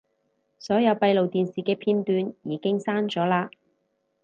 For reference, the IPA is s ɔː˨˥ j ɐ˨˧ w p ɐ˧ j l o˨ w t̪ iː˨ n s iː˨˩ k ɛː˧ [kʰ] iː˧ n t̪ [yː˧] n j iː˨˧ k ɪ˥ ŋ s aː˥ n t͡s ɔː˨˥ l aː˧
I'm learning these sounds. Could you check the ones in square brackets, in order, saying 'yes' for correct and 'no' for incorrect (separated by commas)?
no, yes